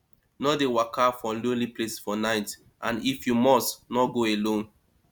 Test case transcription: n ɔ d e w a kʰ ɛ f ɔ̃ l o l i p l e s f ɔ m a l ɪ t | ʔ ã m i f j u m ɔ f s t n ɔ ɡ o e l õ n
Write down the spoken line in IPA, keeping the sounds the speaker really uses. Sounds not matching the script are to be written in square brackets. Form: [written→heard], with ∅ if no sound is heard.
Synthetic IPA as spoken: n ɔ d e w a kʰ [ɛ→a] f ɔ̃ l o l i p l e s f ɔ [m→n] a [l→∅] ɪ t | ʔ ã [m→n] i f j u m ɔ [f→∅] s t n ɔ ɡ o e l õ n